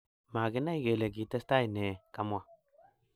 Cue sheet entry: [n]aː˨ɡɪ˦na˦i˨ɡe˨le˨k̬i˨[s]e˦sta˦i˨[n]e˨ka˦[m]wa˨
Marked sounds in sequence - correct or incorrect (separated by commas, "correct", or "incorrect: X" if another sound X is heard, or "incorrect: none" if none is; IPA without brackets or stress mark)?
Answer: incorrect: m, incorrect: t, correct, correct